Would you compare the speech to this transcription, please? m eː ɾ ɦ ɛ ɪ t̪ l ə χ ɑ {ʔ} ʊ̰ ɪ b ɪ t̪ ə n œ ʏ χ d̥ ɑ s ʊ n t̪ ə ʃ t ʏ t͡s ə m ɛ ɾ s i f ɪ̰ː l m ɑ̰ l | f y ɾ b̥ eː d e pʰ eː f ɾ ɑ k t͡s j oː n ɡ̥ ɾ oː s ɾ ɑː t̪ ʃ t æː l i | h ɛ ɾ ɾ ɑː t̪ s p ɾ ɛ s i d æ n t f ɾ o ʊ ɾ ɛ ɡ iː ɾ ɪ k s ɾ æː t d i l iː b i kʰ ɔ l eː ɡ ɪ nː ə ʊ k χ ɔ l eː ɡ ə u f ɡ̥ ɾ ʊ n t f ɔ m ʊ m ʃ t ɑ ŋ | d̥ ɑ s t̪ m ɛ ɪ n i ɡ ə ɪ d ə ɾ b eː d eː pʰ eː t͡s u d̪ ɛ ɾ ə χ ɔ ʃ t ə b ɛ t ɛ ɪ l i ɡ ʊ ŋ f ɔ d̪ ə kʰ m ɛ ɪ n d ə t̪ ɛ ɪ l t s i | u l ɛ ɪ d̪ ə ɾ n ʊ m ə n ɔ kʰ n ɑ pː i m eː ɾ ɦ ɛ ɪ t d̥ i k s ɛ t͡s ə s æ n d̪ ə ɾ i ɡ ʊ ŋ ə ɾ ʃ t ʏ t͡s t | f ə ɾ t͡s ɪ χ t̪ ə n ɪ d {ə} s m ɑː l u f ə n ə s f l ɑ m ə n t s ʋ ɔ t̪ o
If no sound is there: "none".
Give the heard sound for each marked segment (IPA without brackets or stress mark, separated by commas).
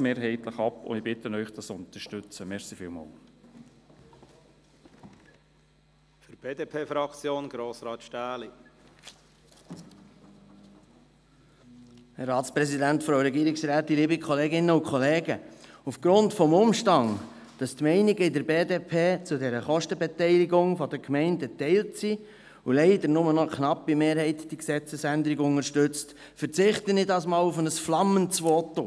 p, ɑ